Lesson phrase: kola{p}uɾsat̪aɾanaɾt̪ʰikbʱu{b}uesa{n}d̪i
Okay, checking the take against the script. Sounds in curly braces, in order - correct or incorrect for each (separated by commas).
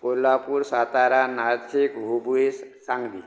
correct, correct, incorrect